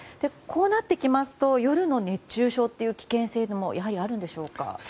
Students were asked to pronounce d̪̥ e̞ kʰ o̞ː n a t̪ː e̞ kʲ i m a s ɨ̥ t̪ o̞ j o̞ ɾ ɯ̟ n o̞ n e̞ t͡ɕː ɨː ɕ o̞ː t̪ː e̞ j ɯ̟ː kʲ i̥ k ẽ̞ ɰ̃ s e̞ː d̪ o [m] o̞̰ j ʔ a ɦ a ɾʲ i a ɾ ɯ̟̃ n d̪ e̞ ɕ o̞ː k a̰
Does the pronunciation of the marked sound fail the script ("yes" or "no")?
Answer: no